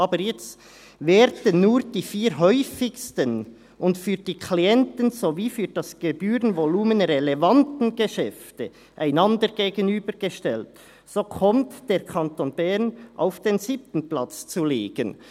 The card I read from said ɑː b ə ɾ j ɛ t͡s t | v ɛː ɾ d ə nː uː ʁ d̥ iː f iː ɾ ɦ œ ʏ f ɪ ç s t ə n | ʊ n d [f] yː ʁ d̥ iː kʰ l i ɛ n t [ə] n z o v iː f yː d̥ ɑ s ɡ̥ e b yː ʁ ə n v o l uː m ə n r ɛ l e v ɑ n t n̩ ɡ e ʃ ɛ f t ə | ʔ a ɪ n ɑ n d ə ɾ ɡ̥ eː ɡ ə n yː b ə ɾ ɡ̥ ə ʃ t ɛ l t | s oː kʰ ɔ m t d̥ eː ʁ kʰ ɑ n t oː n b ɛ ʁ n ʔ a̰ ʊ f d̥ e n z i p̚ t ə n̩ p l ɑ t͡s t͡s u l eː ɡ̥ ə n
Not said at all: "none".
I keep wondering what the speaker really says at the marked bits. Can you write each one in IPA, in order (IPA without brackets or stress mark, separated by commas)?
f, ə